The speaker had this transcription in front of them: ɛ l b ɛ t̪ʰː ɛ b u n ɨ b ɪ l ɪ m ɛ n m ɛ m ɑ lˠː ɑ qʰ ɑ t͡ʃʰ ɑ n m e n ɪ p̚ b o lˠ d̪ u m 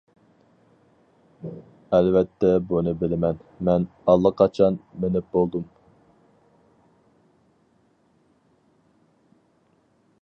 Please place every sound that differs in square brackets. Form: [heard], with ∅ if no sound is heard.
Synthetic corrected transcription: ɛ l [v] ɛ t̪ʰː ɛ b u n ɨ b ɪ l ɪ m ɛ n m ɛ [n] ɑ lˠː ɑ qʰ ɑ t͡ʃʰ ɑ n m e n ɪ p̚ b o lˠ d̪ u m